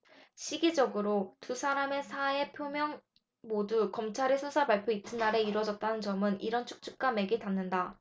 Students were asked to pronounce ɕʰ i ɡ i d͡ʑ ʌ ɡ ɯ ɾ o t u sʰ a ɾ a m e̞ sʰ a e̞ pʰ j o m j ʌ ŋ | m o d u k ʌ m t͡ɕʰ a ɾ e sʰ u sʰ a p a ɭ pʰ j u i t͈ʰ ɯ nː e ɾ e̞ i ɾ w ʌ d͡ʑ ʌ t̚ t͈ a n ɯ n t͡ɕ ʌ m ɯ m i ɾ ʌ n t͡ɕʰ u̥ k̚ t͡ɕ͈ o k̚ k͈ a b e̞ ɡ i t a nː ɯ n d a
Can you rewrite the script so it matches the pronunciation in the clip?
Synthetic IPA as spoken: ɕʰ i ɡ i d͡ʑ ʌ ɡ ɯ ɾ o t u sʰ a ɾ a m e̞ sʰ a e̞ pʰ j o m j ʌ ŋ | m o d u k ʌ m t͡ɕʰ a ɾ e sʰ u sʰ a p a ɭ pʰ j o i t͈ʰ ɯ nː a ɾ e̞ i ɾ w ʌ d͡ʑ ʌ t̚ t͈ a n ɯ n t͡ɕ ʌ m ɯ n i ɾ ʌ n t͡ɕʰ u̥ k̚ t͡ɕ͈ u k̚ k͈ a m e̞ ɡ i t a nː ɯ n d a